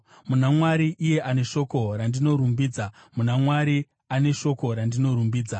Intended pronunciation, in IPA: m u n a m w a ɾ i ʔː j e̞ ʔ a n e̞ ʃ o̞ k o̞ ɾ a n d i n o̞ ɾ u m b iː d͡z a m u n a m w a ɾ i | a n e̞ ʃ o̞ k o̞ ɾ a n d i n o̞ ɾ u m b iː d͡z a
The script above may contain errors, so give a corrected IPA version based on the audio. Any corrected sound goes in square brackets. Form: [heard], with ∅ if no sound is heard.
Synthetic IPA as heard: m u n a m w a ɾ i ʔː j e̞ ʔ a n e̞ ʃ o̞ k o̞ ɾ a n d i n o̞ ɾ u m b iː d͡z a m u n a m w a ɾ i | a n e̞ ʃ o̞ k o̞ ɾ a n d i n o̞ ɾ u m b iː d͡z a